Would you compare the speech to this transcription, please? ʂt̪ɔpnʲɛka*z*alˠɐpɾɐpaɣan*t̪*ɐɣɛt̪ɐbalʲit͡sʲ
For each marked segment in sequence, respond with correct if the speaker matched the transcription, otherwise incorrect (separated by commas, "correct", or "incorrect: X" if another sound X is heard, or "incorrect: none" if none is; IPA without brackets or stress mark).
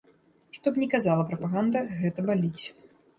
correct, incorrect: d̪